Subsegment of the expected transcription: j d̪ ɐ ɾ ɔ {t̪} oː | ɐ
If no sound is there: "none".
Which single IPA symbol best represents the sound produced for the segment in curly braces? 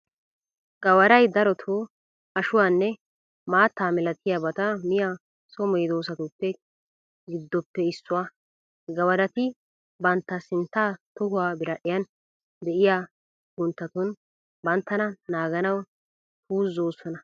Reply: t̪ʰ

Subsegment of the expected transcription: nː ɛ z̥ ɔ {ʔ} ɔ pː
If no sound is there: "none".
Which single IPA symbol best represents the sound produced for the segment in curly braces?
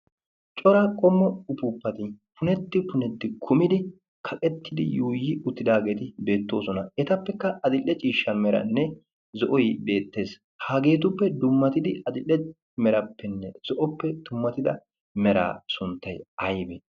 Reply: ʔ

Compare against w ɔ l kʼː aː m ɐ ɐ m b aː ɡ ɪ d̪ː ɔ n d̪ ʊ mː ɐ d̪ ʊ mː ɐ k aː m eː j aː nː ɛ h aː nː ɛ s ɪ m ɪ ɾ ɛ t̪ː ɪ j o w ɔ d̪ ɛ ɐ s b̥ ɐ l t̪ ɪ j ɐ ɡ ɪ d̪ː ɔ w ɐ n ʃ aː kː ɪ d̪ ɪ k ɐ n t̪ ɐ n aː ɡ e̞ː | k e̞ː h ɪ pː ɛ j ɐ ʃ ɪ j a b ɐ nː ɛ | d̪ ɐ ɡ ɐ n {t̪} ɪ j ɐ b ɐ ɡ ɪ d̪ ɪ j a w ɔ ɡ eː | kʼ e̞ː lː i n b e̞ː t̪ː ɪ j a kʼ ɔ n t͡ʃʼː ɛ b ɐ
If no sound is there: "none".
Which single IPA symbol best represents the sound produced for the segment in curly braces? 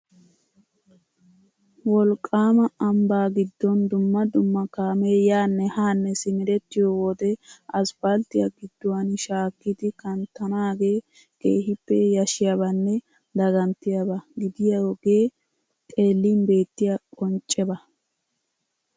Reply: t̪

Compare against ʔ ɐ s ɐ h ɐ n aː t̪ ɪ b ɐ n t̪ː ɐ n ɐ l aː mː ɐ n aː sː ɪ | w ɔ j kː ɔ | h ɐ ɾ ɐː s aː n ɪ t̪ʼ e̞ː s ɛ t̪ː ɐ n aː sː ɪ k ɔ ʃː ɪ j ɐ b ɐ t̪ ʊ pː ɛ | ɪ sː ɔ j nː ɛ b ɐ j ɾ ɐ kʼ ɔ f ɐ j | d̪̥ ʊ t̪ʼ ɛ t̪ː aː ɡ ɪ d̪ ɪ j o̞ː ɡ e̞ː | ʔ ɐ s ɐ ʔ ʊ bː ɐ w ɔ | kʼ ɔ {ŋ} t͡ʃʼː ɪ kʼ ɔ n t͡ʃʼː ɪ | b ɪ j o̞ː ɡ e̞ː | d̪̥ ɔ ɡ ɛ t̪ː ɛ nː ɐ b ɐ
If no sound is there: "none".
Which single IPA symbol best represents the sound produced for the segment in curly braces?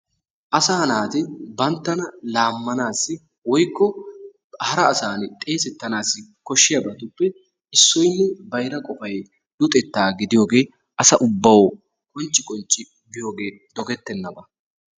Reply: n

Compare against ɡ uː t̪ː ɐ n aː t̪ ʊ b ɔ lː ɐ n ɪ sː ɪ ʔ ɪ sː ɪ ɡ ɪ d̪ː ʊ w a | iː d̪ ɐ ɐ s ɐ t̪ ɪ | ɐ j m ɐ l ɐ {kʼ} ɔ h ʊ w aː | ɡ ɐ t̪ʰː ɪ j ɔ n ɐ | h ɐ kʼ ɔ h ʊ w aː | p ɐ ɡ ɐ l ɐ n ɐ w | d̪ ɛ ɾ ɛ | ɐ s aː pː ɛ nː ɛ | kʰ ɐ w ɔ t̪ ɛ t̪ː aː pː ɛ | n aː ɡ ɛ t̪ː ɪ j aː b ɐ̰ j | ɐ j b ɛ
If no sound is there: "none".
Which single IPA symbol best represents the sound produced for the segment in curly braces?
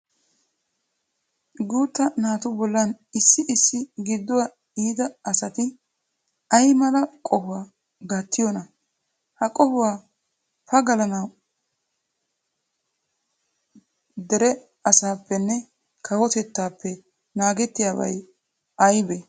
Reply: kʼ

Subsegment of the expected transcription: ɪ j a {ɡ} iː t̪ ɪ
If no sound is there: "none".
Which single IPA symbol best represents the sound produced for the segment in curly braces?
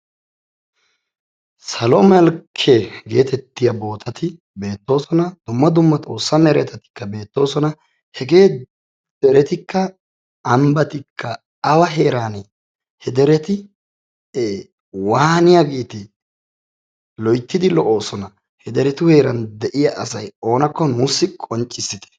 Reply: ɡ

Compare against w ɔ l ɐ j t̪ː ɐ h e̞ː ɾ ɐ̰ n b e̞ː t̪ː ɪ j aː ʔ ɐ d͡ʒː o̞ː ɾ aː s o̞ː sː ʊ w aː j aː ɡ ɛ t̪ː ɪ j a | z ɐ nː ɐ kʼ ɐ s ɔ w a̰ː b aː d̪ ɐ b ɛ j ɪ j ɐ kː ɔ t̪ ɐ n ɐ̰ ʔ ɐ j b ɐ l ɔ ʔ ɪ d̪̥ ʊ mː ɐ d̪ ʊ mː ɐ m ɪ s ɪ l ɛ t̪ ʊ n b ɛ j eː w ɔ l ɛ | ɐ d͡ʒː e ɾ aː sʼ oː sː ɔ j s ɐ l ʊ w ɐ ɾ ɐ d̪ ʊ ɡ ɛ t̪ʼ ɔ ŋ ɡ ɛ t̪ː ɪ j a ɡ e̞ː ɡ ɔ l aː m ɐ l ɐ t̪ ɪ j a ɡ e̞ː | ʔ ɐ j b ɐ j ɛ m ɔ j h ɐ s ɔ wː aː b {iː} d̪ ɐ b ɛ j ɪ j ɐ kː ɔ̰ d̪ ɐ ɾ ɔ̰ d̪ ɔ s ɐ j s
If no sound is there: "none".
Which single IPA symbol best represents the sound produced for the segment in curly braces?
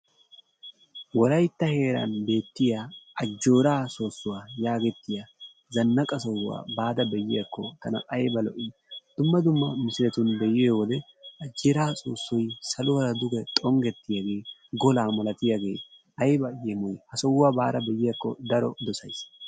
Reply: aː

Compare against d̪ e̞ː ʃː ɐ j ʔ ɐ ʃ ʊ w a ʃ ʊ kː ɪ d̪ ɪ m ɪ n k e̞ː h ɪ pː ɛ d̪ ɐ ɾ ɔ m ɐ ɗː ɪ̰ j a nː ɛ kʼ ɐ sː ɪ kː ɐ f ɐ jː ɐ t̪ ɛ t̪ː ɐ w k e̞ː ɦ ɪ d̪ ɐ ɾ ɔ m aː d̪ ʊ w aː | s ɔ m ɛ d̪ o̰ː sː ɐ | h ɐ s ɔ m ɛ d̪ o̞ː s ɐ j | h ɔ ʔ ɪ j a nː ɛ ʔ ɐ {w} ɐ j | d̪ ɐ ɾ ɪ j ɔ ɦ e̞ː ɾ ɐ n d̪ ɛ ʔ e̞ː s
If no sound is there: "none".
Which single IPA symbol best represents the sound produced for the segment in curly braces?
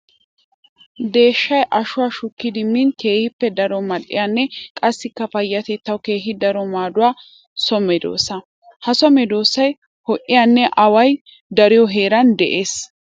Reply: w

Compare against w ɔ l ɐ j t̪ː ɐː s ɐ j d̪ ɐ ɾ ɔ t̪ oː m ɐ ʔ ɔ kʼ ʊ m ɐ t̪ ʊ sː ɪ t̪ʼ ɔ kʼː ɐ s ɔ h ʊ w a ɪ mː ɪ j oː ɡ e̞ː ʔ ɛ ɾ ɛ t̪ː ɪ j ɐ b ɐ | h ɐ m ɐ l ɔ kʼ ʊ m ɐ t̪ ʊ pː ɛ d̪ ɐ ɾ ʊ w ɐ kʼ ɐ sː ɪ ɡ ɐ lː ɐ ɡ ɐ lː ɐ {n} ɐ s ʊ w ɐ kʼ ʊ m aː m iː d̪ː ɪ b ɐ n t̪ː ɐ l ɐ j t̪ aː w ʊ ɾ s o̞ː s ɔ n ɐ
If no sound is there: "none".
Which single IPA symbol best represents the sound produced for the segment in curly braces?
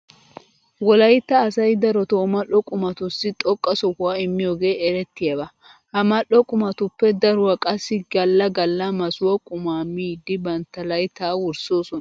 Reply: m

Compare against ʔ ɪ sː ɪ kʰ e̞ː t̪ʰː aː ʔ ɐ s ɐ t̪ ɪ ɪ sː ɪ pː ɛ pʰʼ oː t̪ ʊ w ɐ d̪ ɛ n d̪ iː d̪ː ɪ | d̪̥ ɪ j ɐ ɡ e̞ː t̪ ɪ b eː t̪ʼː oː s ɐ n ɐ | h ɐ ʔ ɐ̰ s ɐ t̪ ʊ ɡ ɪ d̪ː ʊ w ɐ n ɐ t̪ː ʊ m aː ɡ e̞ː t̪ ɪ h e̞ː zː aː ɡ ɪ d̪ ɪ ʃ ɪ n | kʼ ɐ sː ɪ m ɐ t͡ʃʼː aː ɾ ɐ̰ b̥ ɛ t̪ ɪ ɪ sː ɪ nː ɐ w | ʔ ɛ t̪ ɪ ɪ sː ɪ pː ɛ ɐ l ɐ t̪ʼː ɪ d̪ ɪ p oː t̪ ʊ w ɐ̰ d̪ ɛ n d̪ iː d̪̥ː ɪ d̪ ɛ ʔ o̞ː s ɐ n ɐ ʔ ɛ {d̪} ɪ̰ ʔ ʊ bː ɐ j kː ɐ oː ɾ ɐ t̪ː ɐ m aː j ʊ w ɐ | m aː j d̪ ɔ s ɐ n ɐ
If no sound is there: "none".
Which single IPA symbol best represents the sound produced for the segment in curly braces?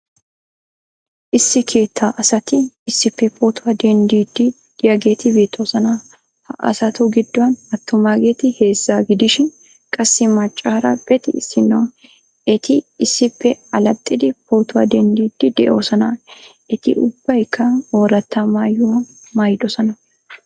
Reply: t̪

